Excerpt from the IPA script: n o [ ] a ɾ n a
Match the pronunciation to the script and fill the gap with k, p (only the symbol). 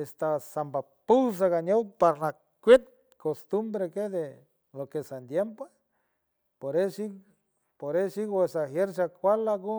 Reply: p